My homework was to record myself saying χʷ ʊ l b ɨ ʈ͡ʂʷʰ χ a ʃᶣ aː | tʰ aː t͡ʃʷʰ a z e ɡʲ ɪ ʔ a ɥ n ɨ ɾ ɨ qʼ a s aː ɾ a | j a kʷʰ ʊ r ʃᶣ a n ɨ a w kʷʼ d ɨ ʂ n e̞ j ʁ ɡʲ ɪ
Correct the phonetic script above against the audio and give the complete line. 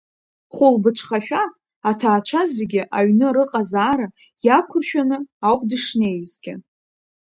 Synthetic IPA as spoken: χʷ ʊ l b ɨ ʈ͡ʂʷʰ χ a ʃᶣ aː | tʰ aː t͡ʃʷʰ a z e ɡʲ ɪ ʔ a ɥ n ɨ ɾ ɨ qʼ a z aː ɾ a | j a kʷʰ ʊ r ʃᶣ a n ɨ a w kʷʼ d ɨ ʂ n e̞ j z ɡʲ ɪ